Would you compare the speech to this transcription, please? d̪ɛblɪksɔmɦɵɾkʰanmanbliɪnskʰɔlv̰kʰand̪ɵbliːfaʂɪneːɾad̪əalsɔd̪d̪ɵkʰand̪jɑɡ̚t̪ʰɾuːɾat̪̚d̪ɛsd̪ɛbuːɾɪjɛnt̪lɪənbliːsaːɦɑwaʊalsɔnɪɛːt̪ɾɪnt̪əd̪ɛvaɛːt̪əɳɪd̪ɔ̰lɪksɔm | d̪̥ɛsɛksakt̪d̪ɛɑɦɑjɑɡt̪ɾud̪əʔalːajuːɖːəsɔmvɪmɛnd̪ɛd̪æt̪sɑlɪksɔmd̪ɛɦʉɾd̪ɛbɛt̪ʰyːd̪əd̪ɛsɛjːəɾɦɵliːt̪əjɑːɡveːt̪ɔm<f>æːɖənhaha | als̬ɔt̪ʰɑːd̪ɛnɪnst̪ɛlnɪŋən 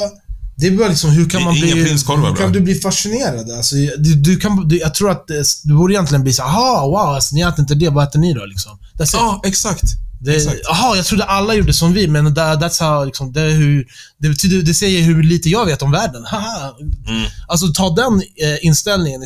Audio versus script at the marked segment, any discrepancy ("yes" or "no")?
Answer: yes